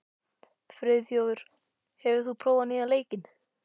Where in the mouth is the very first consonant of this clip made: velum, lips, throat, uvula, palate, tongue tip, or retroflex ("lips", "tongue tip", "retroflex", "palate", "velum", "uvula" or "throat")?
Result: lips